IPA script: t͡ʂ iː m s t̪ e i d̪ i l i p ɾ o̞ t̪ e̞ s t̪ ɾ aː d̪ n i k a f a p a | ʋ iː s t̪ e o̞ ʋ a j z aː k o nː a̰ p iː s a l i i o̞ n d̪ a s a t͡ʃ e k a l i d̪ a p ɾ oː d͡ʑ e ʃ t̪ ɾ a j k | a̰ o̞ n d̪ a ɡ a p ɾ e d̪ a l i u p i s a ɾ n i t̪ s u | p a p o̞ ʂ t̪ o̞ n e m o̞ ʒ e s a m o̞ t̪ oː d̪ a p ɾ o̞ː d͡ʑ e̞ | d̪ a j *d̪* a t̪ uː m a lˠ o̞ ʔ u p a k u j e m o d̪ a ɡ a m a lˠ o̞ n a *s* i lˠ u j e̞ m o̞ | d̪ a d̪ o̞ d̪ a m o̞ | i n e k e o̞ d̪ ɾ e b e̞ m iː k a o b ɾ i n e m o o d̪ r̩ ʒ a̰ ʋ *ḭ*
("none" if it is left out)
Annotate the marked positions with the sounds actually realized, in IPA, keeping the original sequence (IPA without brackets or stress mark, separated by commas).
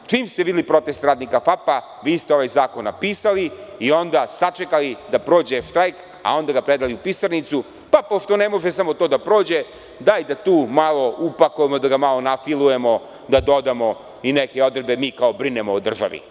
d̪, f, ḭ